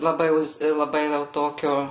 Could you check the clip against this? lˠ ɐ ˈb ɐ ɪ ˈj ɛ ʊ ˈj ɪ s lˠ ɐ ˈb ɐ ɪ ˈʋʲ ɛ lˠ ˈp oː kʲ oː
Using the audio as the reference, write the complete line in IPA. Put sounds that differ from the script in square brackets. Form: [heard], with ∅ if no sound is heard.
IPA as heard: lˠ ɐ ˈb ɐ ɪ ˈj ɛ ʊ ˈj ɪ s lˠ ɐ ˈb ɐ ɪ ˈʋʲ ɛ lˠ [ˈt] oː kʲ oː